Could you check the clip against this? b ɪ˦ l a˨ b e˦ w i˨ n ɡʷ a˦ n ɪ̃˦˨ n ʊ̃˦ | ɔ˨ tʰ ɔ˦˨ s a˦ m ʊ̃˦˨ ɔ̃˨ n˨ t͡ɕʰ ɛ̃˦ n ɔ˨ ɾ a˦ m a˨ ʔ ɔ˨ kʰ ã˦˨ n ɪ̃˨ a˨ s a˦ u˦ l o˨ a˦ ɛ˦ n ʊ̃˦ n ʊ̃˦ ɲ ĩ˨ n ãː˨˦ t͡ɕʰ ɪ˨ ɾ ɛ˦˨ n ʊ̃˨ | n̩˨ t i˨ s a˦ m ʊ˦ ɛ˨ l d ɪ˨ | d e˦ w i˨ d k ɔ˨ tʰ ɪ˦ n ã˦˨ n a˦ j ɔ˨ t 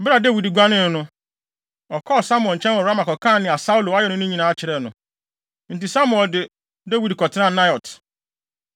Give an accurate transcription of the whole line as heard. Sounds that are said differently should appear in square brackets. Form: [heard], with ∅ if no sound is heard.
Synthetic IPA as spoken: b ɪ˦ [ɾ] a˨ [d] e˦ w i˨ [d] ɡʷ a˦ n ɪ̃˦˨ n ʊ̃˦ | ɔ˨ [kʰ] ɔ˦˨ s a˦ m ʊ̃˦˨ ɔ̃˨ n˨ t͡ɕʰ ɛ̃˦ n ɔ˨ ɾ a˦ m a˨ [k] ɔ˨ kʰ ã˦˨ n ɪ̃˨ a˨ s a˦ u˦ l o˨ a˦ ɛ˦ n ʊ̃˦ n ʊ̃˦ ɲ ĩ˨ n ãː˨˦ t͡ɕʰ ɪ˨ ɾ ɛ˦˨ n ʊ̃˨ | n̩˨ t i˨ s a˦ m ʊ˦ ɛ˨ l d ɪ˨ | d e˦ w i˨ d k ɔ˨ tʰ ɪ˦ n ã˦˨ n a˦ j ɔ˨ t

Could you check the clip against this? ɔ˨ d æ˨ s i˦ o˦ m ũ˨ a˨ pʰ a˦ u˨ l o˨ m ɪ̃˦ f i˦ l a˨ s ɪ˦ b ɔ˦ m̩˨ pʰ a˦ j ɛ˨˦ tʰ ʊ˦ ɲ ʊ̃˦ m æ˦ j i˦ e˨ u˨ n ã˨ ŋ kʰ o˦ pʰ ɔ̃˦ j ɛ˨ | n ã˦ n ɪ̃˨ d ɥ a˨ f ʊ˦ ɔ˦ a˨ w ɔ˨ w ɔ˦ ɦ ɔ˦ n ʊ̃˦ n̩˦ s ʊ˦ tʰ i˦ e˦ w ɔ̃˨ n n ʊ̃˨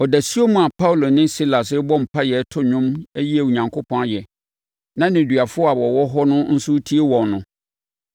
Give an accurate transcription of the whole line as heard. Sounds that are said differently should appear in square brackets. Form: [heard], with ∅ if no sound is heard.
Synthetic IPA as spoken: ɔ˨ d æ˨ s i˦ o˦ m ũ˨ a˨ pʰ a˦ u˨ l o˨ [n] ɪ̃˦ [s] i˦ l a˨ s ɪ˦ b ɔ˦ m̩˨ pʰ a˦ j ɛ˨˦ tʰ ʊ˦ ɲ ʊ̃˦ m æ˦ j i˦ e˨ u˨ [ɲ] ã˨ ŋ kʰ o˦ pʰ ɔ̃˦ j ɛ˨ | n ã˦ n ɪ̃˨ d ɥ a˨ f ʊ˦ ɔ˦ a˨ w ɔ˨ w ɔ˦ ɦ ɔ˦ n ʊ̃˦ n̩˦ s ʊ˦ tʰ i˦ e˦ w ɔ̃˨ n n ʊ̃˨

